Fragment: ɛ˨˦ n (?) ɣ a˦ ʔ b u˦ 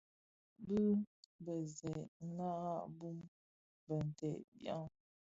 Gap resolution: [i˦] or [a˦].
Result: a˦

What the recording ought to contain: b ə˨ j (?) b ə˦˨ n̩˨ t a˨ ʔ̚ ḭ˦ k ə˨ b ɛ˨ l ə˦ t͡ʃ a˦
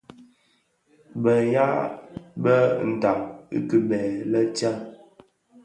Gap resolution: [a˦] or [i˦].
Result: a˦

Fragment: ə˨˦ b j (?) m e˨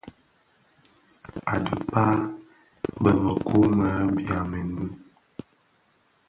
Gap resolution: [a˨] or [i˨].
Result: a˨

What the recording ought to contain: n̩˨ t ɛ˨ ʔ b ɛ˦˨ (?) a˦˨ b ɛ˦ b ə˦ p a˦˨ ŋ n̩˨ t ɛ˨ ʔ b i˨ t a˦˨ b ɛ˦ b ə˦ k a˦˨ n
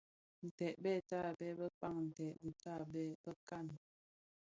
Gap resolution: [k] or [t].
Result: t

